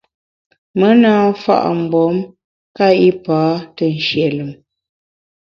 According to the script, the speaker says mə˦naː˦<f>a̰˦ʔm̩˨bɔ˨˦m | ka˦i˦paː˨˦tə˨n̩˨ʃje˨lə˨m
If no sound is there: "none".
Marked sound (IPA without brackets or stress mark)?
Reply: f